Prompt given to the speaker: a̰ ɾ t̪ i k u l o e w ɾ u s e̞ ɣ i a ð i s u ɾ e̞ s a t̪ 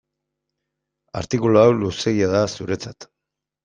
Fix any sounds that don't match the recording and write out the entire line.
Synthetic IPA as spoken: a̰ ɾ t̪ i k u l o a w l u s e̞ ɣ i a ð a s u ɾ e̞ t͡s a t̪